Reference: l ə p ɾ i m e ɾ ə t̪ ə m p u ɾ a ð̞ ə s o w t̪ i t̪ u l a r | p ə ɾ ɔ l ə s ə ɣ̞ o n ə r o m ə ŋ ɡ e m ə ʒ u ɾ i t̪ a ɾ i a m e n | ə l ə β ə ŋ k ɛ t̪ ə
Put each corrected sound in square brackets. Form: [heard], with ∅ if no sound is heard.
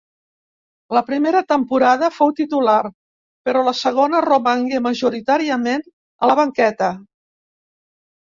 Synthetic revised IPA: l ə p ɾ i m e ɾ ə t̪ ə m p u ɾ a ð̞ ə [f] o w t̪ i t̪ u l a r | p ə ɾ ɔ l ə s ə ɣ̞ o n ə r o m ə ŋ ɡ e m ə ʒ u ɾ i t̪ a ɾ i [ə] m e n | ə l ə β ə ŋ k ɛ t̪ ə